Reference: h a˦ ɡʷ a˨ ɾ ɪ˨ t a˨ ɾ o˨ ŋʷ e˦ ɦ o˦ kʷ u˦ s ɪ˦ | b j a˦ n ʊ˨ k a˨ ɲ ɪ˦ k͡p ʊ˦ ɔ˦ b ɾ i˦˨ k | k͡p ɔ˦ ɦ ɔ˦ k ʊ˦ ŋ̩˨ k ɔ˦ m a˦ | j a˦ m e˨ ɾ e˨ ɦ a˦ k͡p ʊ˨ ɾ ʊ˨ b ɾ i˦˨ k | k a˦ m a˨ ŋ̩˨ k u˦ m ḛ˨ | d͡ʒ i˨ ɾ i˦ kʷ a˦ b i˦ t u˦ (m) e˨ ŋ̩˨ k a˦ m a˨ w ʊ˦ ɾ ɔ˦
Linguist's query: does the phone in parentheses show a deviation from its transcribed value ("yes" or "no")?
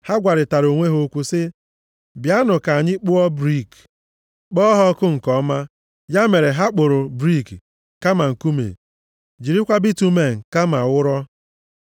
no